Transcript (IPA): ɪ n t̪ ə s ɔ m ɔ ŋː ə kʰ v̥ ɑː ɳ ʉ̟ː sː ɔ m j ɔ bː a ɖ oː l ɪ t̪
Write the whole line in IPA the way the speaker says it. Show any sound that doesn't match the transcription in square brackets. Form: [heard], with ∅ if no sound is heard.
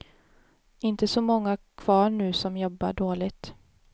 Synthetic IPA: ɪ n t̪ ə s ɔ m ɔ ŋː [a] kʰ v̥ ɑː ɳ ʉ̟ː [s] ɔ m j ɔ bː a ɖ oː l ɪ t̪